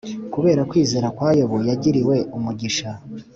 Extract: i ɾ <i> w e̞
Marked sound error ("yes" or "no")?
no